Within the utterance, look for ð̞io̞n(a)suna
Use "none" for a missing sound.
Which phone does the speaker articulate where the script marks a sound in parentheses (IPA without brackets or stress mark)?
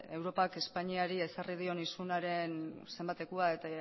i